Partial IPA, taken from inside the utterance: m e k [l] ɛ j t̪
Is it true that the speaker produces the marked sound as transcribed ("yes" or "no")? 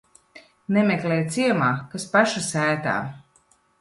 yes